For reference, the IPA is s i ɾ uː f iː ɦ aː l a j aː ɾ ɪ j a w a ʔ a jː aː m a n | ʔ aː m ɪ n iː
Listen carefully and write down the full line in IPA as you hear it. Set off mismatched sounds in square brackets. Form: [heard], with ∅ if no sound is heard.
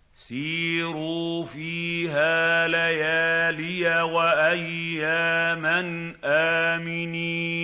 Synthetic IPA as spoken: s [iː] ɾ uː f iː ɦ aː l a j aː [l] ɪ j a w a ʔ a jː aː m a n | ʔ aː m ɪ n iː